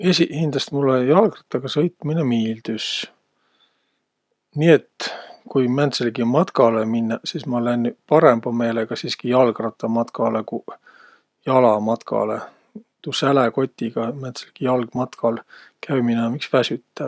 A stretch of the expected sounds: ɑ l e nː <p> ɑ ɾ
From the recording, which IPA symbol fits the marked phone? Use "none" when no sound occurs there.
p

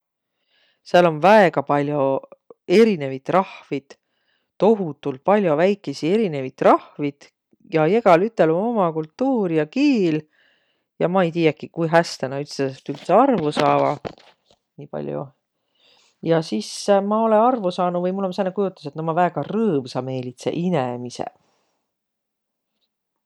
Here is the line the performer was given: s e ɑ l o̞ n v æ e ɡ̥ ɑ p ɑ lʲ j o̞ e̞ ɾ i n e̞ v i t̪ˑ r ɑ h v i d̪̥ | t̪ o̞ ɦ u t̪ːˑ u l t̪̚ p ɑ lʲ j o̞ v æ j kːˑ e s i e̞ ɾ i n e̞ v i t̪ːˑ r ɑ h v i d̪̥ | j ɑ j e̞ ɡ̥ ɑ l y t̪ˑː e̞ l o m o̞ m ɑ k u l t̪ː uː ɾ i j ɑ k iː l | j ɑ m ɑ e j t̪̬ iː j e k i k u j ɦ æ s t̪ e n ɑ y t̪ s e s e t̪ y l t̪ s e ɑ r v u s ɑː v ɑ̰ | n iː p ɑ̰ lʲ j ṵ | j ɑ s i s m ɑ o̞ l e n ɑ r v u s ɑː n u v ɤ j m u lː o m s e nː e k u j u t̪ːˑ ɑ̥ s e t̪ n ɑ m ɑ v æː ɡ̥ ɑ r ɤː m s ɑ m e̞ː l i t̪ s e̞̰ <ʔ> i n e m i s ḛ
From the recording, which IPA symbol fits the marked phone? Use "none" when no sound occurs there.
ʔ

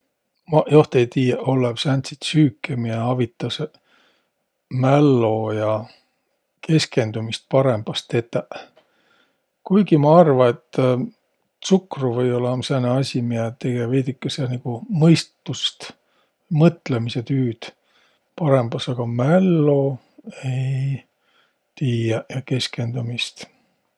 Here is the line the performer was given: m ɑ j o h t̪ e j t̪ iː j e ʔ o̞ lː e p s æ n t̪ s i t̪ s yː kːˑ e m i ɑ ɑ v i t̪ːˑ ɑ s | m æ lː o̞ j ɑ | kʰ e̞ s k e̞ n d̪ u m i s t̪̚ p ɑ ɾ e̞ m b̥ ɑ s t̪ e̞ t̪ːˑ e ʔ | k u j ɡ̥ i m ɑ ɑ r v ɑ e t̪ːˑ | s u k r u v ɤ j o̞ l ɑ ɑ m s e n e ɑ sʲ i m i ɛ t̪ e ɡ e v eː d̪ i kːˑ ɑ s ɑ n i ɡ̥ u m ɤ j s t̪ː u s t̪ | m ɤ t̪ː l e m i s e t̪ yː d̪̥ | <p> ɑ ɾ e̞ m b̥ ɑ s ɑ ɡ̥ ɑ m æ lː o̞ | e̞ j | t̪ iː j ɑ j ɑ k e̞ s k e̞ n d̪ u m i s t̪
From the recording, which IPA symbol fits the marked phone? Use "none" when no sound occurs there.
p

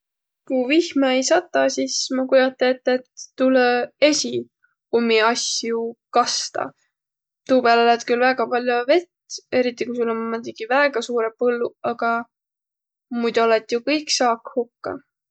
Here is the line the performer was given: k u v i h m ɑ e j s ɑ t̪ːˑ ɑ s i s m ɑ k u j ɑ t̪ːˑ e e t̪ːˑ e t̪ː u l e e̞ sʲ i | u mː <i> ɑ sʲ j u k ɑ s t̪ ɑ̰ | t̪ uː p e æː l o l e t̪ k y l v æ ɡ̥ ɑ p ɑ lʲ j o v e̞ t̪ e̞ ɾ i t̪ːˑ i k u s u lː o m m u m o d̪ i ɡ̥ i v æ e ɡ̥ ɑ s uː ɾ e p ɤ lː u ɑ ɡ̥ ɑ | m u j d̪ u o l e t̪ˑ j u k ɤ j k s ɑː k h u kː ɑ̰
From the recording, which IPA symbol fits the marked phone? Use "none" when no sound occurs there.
i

